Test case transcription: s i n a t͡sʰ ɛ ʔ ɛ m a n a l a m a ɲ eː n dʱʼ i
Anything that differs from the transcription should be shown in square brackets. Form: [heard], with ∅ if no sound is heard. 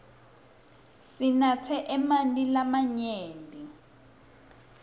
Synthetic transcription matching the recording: s i n a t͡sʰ ɛ ʔ ɛ m a n [i] l a m a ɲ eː n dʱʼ i